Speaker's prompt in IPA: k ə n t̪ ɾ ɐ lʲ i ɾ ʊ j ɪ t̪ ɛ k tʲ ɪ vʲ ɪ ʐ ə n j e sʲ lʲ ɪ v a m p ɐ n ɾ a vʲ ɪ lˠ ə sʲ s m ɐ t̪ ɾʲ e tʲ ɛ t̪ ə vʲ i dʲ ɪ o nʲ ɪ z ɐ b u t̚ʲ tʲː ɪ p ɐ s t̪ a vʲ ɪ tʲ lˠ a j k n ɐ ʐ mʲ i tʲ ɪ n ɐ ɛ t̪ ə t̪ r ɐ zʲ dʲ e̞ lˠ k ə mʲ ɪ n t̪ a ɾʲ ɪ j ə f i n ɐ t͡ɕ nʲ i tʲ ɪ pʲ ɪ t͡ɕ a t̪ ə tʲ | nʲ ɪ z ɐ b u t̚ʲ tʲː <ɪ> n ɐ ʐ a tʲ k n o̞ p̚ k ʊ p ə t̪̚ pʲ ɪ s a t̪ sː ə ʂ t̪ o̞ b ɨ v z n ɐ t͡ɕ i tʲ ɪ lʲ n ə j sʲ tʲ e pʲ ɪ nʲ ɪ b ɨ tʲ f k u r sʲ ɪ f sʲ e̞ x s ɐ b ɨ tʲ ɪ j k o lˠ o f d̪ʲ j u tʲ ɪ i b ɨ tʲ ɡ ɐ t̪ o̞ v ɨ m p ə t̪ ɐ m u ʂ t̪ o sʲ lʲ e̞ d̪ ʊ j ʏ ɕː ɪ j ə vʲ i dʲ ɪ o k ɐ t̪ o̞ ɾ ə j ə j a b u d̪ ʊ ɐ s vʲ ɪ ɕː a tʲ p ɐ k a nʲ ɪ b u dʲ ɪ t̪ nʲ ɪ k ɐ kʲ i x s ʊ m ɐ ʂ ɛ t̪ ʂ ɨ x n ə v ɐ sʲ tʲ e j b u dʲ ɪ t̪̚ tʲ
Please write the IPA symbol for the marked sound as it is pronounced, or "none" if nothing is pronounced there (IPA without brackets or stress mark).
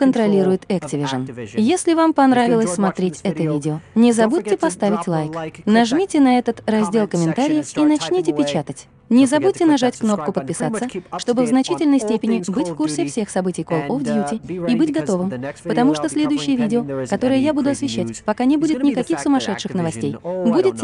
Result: ɪ